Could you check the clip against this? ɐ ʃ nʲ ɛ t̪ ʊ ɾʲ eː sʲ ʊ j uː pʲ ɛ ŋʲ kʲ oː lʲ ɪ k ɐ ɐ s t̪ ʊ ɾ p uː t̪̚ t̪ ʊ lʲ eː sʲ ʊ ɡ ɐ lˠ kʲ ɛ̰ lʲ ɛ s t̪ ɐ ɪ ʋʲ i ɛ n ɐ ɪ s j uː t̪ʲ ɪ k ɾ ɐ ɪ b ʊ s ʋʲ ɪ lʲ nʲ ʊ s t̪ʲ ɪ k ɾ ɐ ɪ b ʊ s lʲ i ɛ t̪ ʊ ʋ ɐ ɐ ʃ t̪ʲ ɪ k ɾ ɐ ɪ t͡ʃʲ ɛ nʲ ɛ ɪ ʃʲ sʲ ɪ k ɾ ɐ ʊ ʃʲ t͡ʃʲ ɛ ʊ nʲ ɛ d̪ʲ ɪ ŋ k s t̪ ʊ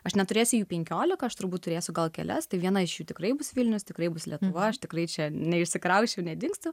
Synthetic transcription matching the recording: ɐ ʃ nʲ ɛ t̪ ʊ ɾʲ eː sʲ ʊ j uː pʲ ɛ ŋʲ kʲ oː lʲ ɪ k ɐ ɐ ʃ t̪ ʊ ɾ b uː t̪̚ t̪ ʊ ɾʲ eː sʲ ʊ ɡ ɐ lˠ kʲ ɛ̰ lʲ ɛ s t̪ ɐ ɪ ʋʲ i ɛ n ɐ ɪ ʃ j uː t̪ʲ ɪ k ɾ ɐ ɪ b ʊ s ʋʲ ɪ lʲ nʲ ʊ s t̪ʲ ɪ k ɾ ɐ ɪ b ʊ s lʲ i ɛ t̪ ʊ ʋ ɐ ɐ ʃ t̪ʲ ɪ k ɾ ɐ ɪ t͡ʃʲ ɛ nʲ ɛ ɪ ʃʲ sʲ ɪ k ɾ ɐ ʊ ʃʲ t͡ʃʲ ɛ ʊ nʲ ɛ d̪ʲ ɪ ŋ k s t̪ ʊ